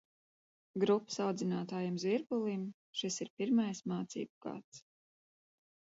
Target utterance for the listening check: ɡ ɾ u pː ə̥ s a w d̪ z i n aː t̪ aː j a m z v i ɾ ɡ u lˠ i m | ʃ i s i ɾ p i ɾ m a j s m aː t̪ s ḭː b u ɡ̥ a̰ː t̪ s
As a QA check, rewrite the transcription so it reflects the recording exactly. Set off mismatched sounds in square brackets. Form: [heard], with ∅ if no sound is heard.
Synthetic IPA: ɡ ɾ u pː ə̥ s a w d̪ z i n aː t̪ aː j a m z v i ɾ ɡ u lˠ i m | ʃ i s i ɾ p i ɾ m a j s m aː t̪ s ḭː b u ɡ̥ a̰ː t̪ s